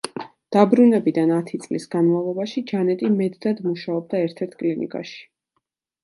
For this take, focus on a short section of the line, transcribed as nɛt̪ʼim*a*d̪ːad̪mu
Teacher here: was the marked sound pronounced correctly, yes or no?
no